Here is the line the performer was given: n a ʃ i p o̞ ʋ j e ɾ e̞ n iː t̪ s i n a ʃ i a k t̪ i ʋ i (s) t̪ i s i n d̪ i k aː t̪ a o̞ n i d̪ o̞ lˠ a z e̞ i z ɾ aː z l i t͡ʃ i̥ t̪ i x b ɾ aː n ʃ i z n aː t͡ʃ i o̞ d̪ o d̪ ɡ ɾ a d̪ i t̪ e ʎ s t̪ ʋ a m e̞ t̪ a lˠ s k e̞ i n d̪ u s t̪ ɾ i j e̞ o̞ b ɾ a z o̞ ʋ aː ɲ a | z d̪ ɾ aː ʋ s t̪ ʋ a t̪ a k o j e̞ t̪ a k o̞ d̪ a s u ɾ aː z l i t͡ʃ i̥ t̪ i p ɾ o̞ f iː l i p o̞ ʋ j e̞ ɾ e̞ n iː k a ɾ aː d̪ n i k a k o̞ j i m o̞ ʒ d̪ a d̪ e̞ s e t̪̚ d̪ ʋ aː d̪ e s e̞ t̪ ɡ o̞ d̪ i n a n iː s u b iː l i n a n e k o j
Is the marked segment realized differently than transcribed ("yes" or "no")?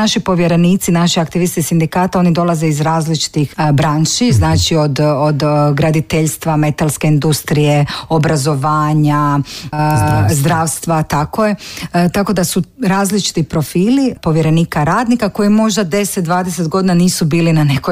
no